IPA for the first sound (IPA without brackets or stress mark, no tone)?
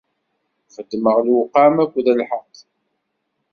f